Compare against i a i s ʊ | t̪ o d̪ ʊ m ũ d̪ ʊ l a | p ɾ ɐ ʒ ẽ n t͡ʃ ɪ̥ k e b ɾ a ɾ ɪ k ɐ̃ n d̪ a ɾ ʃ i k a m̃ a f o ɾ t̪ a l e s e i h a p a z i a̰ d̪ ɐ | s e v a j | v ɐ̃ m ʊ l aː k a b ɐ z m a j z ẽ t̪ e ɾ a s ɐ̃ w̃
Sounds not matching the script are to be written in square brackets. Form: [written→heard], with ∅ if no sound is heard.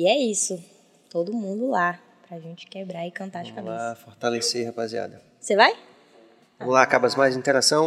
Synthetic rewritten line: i [a→ɛ] i s ʊ | t̪ o d̪ ʊ m ũ d̪ ʊ l a | p ɾ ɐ ʒ ẽ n t͡ʃ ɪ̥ k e b ɾ a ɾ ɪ k ɐ̃ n [d̪→t̪] a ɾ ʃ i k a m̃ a f o ɾ t̪ a l e s e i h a p a z i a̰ d̪ ɐ | s e v a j | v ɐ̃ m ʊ l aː k a b ɐ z m a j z [ẽ→ĩ] t̪ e ɾ a s ɐ̃ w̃